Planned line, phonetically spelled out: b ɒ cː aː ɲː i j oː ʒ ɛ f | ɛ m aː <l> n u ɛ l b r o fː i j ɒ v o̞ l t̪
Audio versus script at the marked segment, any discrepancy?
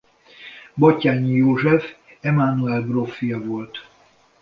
yes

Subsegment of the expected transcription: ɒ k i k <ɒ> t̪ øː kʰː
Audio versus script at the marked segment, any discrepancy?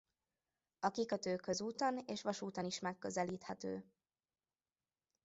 no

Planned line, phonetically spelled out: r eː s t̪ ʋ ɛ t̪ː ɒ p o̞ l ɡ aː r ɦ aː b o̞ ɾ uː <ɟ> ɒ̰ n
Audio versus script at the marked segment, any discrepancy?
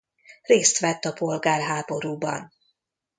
yes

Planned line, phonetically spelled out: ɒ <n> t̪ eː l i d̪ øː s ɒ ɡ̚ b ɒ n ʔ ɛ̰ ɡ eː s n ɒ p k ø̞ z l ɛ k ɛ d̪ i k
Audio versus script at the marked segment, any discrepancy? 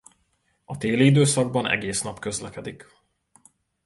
yes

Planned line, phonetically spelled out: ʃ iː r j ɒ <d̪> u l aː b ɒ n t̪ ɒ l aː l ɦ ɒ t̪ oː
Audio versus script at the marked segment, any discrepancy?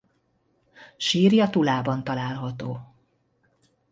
yes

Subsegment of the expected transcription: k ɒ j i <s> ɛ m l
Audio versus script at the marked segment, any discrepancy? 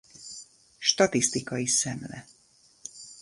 no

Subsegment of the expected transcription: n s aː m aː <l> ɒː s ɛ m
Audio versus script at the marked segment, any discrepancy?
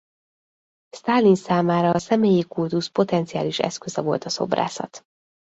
yes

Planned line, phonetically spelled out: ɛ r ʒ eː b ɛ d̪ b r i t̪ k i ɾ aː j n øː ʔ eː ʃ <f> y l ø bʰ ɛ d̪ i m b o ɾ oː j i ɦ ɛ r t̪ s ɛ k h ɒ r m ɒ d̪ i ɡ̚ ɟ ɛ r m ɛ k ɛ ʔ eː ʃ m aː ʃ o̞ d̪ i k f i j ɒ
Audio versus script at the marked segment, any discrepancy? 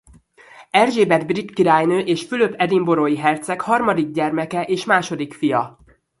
no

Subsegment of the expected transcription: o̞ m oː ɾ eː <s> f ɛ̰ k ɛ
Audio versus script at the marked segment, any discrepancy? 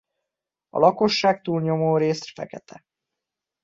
no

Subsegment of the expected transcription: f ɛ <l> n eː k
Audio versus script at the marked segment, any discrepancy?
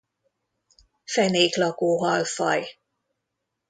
yes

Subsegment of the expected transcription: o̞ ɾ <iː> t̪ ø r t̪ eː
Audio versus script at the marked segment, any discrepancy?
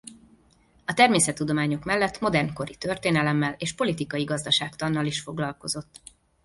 yes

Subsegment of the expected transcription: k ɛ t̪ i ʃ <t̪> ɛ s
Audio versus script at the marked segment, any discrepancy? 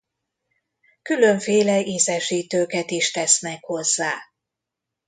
no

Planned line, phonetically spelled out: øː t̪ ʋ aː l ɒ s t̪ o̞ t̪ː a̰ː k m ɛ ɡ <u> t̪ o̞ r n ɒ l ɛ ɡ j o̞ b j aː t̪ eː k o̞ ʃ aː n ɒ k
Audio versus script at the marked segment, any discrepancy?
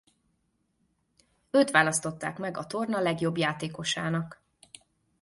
yes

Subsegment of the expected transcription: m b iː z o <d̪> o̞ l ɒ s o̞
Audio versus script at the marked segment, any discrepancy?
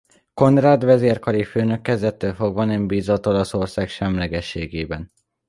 yes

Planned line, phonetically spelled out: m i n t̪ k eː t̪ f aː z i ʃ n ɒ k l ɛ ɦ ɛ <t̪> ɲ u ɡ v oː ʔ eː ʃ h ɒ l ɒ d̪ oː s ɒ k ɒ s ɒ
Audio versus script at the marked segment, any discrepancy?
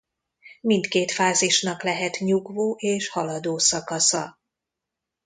no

